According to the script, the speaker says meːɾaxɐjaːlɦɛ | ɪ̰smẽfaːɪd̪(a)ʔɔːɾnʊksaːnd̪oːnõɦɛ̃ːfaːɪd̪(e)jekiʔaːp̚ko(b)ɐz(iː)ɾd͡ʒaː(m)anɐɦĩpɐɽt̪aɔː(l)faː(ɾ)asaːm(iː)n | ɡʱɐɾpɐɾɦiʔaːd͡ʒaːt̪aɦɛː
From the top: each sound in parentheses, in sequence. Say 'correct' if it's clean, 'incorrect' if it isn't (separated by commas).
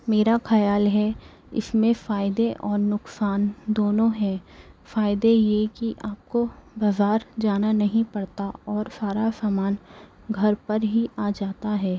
incorrect, correct, correct, incorrect, incorrect, incorrect, correct, incorrect